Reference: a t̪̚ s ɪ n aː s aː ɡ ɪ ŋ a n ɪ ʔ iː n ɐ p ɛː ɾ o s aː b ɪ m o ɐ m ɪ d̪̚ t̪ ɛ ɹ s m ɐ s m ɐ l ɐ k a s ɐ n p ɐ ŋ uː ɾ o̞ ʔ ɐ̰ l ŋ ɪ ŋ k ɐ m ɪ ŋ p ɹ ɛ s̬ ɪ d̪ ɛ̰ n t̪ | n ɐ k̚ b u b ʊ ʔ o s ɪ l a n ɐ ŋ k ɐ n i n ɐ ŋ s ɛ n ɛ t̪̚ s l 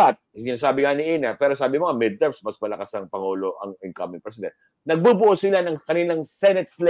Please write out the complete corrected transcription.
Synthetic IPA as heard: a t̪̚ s ɪ n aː s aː b ɪ ŋ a n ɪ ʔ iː n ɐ p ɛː ɾ o s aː b ɪ m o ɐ m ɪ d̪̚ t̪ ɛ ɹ s m ɐ s m ɐ l ɐ k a s ɐ ŋ p ɐ ŋ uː l o̞ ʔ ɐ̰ ŋ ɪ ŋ k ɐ m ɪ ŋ p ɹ ɛ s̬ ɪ d̪ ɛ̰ n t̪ | n ɐ ɡ̚ b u b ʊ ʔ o s ɪ l a n ɐ ŋ k ɐ n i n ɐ ŋ s ɛ n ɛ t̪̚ s l